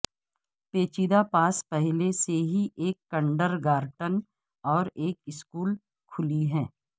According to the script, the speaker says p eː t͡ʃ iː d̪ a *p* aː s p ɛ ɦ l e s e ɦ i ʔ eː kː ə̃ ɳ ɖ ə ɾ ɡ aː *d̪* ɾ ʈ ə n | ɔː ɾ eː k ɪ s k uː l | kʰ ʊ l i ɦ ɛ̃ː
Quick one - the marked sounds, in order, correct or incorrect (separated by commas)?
correct, incorrect